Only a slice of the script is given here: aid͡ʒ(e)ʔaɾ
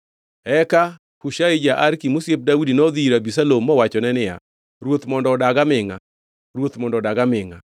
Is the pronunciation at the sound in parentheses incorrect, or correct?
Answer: incorrect